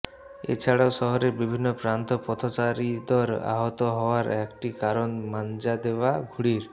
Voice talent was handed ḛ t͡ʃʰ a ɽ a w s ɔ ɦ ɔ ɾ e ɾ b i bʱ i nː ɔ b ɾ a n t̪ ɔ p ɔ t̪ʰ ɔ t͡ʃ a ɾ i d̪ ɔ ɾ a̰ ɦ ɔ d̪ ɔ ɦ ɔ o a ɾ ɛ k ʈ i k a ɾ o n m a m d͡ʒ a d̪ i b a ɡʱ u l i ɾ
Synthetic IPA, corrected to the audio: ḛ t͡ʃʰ a ɽ a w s ɔ ɦ ɔ ɾ e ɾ b i bʱ i nː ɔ p ɾ a n t̪ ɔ p ɔ t̪ʰ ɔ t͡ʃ a ɾ i d̪ ɔ ɾ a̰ ɦ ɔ t̪ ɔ ɦ ɔ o a ɾ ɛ k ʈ i k a ɾ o n m a n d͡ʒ a d̪ e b a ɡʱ u ɽ i ɾ